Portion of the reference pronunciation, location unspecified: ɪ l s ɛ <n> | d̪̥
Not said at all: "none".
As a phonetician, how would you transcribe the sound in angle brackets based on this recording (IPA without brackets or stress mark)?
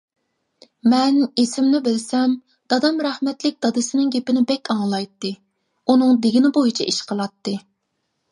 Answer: m